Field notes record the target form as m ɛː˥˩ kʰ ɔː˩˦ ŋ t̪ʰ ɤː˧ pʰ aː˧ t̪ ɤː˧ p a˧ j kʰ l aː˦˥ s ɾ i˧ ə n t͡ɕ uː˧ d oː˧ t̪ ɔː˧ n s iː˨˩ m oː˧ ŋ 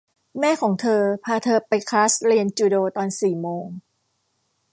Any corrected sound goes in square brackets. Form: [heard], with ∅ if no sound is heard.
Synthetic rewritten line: m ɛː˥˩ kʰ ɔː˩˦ ŋ t̪ʰ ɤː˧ pʰ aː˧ [t̪ʰ] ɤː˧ p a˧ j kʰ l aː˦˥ s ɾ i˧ ə n t͡ɕ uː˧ d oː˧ t̪ ɔː˧ n s iː˨˩ m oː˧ ŋ

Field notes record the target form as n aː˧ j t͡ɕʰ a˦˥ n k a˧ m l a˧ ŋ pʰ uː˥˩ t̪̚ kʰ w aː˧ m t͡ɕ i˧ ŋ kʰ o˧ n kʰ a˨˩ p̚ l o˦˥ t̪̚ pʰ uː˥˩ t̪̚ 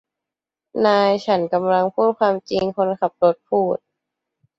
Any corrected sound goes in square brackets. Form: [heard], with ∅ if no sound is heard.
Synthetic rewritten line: n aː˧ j t͡ɕʰ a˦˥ n k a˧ m l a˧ ŋ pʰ uː˥˩ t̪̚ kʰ w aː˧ m t͡ɕ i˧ ŋ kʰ o˧ n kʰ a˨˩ p̚ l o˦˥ t̪̚ pʰ uː˥˩ t̪̚

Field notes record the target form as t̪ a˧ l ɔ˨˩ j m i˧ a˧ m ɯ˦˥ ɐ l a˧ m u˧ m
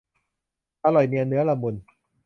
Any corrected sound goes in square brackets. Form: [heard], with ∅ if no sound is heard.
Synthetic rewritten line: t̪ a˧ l ɔ˨˩ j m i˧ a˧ [n] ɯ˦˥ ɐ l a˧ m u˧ [n]

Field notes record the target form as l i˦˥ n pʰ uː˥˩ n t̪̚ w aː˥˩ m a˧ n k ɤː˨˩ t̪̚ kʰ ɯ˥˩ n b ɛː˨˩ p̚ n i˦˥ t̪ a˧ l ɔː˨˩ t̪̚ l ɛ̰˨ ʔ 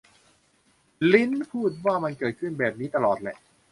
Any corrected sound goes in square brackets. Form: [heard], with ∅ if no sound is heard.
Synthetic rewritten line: l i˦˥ n pʰ uː˥˩ [∅] t̪̚ w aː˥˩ m a˧ n k ɤː˨˩ t̪̚ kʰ ɯ˥˩ n b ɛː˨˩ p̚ n [iː˦˥] t̪ a˧ l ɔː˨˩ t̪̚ l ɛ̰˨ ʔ

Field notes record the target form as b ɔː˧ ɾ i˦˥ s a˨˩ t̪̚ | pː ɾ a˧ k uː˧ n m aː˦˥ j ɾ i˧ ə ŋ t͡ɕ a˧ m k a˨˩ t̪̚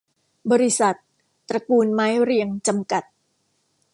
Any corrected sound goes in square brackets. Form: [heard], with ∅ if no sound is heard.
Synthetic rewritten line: b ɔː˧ ɾ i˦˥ s a˨˩ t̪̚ | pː ɾ a˧ k uː˧ n m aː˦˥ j ɾ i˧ ə ŋ t͡ɕ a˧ m k a˨˩ t̪̚

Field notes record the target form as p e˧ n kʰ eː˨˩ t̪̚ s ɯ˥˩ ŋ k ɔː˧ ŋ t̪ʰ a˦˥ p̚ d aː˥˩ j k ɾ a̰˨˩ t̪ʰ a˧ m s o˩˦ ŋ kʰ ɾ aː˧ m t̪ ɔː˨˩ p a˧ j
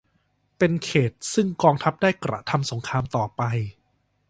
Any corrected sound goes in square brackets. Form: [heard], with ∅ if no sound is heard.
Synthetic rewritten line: p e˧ n kʰ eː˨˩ t̪̚ s ɯ˥˩ ŋ k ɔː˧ ŋ t̪ʰ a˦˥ p̚ d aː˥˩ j k ɾ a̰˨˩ t̪ʰ a˧ m s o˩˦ ŋ kʰ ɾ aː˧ m t̪ ɔː˨˩ p a˧ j

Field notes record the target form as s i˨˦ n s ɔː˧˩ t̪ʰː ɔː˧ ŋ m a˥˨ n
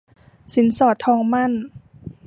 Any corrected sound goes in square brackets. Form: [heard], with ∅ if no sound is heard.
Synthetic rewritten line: s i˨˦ n s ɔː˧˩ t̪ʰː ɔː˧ ŋ m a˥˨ n

